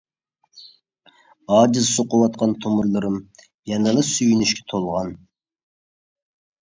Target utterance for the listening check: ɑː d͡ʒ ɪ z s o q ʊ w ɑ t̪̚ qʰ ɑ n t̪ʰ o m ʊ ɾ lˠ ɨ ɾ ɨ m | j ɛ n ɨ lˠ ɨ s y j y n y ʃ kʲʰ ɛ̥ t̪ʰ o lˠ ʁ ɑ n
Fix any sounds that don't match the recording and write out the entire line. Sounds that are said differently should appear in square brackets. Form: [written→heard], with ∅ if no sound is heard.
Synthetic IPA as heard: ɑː d͡ʒ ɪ z s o q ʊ w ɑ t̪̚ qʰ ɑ n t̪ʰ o m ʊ ɾ lˠ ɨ ɾ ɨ m | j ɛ n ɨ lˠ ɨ s y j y n y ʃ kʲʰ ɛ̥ t̪ʰ o lˠ ʁ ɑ n